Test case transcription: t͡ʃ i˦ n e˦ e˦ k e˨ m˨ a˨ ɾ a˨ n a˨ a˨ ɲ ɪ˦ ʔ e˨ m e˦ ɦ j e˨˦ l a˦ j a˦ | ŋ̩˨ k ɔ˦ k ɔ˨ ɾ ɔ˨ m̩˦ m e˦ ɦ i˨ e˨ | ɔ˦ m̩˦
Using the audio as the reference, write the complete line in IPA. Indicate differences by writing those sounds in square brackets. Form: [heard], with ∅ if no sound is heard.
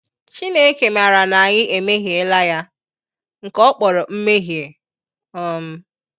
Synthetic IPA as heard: t͡ʃ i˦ n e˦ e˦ k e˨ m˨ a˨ ɾ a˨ n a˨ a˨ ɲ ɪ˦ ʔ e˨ m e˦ ɦ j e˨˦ l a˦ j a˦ | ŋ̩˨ k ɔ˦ [k͡p] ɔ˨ ɾ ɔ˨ m̩˦ m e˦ ɦ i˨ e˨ | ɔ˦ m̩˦